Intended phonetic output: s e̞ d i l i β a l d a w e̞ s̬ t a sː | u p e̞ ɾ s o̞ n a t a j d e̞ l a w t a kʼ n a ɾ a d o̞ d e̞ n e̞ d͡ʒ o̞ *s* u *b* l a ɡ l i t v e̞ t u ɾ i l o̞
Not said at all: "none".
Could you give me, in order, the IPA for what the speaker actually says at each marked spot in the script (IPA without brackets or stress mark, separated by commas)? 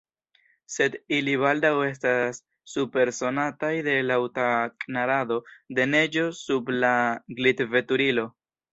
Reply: s, b